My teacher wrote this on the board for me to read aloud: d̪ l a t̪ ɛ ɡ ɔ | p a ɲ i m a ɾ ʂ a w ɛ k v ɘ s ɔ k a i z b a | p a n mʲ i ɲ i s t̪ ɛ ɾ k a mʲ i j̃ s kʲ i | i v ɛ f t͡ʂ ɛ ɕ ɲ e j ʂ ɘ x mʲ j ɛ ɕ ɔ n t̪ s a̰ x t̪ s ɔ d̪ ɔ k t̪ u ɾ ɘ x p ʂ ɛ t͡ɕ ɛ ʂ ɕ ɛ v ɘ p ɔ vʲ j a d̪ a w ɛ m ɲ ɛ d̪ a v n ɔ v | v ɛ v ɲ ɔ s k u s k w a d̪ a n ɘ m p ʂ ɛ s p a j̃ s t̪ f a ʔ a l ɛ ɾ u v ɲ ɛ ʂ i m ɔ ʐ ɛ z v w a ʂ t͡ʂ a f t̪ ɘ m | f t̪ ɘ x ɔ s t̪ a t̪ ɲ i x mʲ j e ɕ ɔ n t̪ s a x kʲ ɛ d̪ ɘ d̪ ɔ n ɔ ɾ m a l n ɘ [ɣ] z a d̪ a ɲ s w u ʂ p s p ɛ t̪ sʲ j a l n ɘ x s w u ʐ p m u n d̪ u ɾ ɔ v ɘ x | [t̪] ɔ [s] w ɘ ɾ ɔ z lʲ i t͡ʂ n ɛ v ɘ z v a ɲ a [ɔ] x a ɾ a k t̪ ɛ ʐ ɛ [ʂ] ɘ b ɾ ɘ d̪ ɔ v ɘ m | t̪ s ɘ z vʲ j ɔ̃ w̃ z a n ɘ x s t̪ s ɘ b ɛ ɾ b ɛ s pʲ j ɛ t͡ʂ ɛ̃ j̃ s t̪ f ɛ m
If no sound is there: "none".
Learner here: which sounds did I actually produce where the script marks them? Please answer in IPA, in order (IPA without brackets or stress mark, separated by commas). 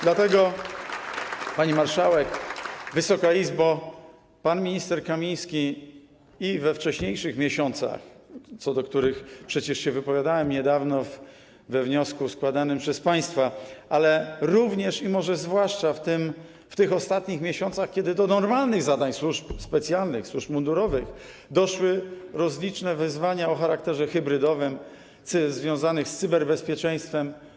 ɣ, d̪, ʂ, ɔ, x